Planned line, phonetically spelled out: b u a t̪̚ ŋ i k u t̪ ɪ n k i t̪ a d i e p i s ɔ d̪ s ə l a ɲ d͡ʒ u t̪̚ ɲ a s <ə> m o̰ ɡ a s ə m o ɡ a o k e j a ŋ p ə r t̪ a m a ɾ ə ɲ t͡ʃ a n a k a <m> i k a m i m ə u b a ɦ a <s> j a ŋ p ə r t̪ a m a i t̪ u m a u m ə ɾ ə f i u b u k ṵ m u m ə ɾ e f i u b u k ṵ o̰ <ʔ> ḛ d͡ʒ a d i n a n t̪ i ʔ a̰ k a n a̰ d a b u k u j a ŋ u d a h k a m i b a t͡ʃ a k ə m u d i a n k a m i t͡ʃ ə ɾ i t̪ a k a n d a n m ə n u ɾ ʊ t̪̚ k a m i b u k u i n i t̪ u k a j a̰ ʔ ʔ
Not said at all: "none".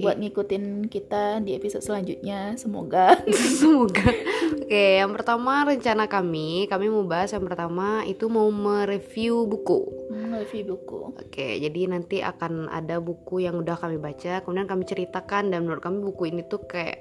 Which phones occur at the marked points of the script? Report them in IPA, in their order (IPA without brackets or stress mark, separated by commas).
ə, m, s, k